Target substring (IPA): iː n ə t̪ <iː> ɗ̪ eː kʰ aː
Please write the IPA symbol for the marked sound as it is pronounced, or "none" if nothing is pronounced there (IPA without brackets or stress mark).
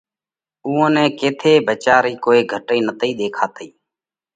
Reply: iː